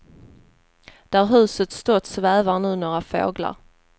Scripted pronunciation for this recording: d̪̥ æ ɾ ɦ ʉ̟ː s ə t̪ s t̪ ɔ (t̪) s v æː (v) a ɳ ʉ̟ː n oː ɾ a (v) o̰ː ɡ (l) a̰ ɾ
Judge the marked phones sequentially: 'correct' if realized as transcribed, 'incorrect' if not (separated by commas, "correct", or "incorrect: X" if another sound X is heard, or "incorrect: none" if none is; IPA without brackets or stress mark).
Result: correct, correct, incorrect: f, correct